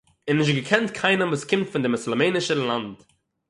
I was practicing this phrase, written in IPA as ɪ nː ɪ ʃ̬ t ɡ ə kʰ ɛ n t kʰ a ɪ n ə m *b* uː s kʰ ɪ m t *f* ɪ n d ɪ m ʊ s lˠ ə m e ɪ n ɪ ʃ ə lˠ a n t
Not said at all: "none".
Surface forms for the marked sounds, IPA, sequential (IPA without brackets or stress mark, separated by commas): v, f